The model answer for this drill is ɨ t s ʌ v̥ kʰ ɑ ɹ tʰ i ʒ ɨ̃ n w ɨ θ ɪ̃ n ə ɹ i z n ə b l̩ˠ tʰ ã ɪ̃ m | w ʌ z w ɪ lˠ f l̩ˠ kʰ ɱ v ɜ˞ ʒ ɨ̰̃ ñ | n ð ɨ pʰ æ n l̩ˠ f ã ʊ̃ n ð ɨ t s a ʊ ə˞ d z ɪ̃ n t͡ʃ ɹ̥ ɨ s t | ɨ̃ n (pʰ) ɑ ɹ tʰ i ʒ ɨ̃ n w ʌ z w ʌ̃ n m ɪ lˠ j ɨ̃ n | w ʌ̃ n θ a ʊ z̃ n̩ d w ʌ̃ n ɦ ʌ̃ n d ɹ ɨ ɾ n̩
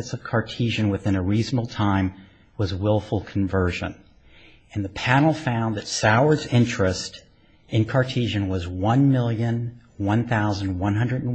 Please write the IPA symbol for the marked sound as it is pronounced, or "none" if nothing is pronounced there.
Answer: kʰ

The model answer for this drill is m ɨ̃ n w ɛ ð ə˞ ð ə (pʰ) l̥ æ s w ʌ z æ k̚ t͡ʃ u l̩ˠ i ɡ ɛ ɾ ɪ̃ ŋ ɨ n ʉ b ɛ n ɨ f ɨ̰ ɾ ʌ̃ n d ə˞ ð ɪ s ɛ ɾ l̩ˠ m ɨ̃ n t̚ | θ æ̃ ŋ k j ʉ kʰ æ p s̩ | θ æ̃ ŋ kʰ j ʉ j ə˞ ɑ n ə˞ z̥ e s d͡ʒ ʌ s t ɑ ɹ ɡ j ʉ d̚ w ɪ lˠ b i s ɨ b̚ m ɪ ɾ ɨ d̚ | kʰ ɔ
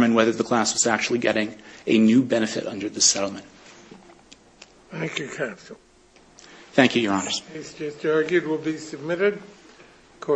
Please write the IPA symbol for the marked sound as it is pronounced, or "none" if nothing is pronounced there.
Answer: kʰ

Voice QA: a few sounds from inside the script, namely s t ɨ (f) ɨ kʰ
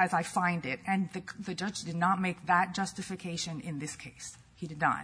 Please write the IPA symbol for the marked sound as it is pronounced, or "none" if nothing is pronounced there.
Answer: f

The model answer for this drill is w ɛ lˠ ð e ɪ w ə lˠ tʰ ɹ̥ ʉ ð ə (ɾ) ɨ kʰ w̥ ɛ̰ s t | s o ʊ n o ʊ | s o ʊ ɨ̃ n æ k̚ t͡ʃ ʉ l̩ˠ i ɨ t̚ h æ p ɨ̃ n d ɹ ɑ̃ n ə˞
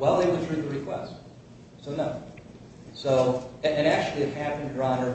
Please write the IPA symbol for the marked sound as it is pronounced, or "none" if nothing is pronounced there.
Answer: ɹ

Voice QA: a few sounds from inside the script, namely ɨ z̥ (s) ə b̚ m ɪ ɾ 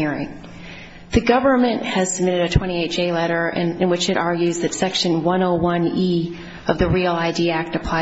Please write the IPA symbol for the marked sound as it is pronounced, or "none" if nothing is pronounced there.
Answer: s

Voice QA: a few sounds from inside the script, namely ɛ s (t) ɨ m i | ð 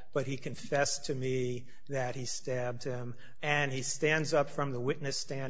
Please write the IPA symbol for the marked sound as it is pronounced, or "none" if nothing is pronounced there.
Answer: tʰ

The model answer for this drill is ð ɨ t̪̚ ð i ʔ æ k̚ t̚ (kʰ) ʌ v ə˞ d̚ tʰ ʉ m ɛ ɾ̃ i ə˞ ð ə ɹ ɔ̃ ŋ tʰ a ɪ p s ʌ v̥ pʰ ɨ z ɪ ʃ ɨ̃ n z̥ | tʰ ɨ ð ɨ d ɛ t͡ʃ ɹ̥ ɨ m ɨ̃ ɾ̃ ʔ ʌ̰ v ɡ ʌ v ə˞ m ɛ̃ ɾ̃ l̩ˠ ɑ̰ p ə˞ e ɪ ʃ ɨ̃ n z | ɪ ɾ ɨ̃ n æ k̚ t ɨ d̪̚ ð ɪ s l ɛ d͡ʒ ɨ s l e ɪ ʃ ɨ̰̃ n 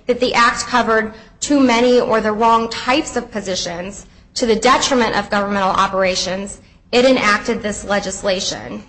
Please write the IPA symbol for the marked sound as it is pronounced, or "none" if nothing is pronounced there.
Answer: kʰ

